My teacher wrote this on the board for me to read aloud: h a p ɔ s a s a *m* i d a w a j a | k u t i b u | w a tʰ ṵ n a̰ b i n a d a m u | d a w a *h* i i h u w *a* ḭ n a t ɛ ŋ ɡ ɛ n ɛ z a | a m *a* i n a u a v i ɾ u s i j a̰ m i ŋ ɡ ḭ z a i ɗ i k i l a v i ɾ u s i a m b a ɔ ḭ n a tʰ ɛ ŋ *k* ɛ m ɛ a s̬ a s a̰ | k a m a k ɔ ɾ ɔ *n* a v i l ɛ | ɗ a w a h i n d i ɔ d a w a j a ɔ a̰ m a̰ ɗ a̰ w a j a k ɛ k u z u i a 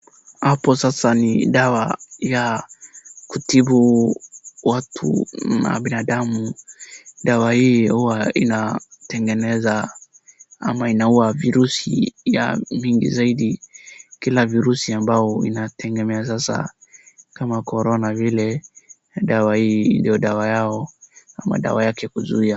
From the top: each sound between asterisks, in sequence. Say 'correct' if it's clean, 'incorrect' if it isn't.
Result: incorrect, correct, correct, correct, incorrect, correct

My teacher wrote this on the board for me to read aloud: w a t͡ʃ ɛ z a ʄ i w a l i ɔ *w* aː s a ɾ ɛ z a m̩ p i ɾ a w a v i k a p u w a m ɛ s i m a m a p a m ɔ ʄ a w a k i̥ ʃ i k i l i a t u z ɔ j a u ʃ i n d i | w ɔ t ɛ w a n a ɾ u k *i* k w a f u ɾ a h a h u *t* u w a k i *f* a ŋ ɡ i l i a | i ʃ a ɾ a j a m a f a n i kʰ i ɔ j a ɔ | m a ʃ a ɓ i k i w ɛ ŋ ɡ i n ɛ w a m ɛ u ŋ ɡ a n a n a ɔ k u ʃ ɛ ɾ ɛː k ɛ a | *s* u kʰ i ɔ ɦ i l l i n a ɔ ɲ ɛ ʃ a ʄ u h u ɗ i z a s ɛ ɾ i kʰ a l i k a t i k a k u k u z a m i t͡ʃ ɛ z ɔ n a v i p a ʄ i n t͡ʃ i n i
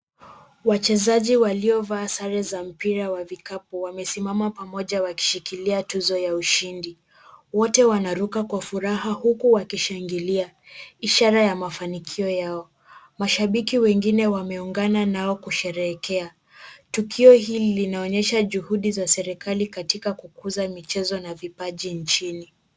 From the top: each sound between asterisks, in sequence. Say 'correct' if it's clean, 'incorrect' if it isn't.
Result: incorrect, incorrect, incorrect, incorrect, incorrect

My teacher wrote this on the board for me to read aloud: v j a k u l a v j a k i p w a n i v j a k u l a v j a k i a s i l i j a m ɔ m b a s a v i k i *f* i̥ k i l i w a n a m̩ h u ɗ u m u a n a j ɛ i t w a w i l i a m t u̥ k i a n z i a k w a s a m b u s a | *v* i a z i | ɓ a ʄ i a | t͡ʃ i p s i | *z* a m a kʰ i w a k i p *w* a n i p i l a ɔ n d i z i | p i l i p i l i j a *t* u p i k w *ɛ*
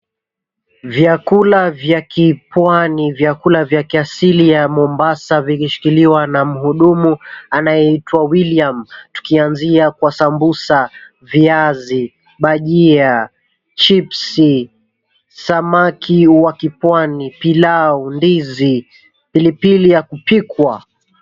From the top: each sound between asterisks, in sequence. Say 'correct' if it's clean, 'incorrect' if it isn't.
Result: incorrect, correct, incorrect, correct, incorrect, incorrect

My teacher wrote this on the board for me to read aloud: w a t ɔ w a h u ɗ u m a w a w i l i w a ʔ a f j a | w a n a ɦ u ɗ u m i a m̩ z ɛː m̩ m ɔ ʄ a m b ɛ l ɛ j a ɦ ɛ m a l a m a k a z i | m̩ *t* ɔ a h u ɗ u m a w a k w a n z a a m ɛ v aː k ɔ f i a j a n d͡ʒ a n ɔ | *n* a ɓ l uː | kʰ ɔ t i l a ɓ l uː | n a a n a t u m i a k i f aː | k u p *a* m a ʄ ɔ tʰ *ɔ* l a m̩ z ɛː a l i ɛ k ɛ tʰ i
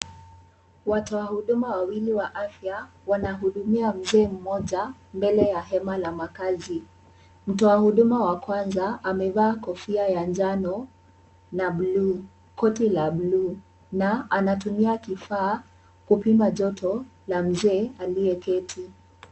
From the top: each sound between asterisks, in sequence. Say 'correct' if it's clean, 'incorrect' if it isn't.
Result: correct, correct, incorrect, correct

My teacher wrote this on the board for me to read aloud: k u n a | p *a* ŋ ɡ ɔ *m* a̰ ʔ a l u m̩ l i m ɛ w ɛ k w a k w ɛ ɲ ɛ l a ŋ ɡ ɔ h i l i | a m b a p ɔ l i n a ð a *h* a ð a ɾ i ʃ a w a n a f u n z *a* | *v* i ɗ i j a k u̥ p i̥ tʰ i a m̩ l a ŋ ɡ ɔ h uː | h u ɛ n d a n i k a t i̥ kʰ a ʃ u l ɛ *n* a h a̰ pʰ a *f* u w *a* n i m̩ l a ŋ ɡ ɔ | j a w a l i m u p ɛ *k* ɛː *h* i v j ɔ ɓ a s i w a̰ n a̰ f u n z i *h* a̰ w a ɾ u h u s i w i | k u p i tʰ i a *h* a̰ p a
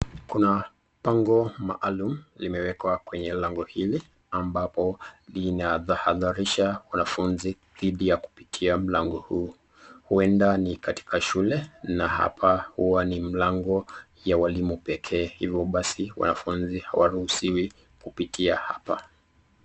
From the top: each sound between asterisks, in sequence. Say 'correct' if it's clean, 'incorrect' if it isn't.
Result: correct, correct, correct, incorrect, incorrect, correct, incorrect, correct, incorrect, correct, correct, correct

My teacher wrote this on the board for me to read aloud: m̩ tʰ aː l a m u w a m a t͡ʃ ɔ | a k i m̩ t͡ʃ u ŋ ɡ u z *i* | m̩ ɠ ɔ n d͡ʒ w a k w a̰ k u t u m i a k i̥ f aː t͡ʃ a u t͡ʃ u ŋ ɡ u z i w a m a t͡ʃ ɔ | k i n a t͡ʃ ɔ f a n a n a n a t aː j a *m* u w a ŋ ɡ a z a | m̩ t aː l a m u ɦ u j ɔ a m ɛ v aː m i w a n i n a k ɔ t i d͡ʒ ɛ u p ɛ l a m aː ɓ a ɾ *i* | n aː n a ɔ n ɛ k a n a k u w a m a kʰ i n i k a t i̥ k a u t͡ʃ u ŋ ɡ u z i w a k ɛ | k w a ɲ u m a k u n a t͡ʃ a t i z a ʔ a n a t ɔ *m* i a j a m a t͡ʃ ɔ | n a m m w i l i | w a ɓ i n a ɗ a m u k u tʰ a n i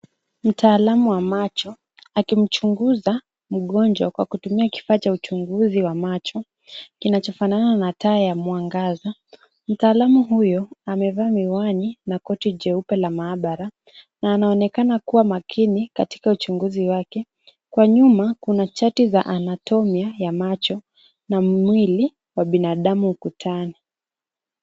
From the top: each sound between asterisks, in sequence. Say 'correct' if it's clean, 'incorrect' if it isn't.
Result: incorrect, correct, incorrect, correct

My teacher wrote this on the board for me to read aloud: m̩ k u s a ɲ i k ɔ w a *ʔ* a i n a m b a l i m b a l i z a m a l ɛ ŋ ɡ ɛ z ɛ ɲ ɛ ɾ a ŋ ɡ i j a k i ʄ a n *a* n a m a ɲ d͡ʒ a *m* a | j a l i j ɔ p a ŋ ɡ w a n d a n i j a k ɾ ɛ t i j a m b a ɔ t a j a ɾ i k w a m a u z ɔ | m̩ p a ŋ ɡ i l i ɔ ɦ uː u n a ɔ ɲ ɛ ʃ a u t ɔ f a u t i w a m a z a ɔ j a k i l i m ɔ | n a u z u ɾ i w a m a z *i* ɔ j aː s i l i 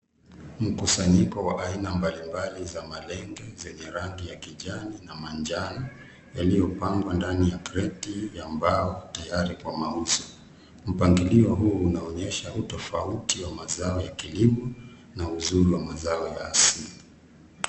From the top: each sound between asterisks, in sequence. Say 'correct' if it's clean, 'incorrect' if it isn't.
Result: correct, incorrect, incorrect, incorrect

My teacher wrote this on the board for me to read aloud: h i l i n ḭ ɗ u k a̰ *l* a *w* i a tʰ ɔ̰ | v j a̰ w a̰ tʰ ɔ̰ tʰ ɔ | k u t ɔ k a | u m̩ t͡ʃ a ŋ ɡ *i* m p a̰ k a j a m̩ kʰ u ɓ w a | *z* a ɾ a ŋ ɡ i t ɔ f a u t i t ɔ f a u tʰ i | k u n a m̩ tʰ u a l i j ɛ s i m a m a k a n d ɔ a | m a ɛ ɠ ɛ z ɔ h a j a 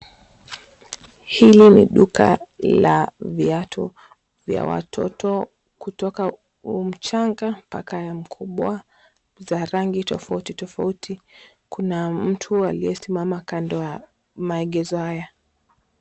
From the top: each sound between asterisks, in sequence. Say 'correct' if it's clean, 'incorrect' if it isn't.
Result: correct, incorrect, incorrect, correct

